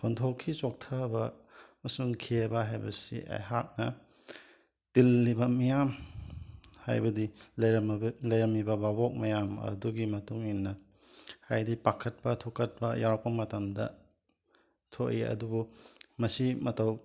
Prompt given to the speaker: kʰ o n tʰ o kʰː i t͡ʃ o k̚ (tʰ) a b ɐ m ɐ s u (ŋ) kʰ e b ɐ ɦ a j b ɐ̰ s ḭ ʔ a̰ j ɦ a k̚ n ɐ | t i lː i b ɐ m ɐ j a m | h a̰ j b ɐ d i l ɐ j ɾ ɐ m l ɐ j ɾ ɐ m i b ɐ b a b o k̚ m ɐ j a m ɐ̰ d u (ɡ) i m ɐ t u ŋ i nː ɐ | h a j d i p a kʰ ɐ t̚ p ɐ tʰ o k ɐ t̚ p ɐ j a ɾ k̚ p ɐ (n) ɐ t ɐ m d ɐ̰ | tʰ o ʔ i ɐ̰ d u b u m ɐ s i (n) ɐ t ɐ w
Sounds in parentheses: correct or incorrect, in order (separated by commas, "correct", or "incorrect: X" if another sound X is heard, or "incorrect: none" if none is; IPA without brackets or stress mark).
correct, correct, correct, incorrect: m, incorrect: m